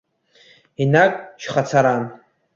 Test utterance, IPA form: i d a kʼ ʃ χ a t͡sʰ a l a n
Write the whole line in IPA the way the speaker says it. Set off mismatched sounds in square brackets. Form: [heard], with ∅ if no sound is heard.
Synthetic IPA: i [n] a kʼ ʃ χ a t͡sʰ a [ɾ] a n